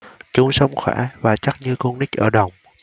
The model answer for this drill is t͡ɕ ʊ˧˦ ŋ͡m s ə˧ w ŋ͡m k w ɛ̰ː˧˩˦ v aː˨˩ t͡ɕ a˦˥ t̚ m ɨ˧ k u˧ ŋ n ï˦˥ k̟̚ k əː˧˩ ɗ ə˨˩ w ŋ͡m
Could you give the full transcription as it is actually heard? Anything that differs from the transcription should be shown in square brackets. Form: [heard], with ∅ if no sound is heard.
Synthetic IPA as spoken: t͡ɕ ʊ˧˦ ŋ͡m s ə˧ w ŋ͡m [x] w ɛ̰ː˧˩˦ v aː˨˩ t͡ɕ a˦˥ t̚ [ɲ] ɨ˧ k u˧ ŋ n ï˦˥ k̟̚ [ʔ] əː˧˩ ɗ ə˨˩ w ŋ͡m